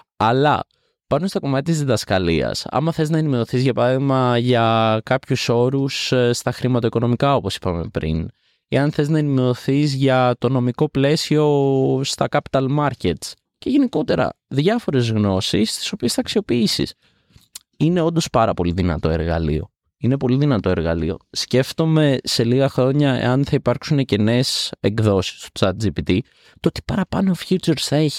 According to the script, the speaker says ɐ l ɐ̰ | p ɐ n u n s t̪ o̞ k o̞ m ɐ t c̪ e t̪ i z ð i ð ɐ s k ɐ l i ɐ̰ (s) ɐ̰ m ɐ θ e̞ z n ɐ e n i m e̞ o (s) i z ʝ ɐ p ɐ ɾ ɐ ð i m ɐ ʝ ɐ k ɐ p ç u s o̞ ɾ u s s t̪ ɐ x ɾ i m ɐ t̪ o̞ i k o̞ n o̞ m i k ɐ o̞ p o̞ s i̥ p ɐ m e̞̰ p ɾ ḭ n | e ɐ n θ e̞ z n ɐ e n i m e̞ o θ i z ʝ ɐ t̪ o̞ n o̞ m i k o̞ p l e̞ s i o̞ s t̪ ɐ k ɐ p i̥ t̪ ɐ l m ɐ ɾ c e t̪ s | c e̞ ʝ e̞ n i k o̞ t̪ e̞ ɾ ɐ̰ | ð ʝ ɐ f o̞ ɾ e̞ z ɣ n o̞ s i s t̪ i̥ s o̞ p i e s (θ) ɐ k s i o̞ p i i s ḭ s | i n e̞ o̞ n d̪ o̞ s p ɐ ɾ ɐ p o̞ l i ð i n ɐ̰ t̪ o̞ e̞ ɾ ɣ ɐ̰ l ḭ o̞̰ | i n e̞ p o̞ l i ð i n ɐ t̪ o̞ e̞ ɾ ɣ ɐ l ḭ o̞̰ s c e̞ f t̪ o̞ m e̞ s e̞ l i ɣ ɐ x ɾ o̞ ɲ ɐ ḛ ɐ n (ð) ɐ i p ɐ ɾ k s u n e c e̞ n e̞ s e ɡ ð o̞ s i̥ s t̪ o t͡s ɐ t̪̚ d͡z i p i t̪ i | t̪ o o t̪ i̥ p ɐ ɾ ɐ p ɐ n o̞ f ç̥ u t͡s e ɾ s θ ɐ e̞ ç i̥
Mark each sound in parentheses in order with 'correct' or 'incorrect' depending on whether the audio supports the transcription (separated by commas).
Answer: correct, incorrect, correct, incorrect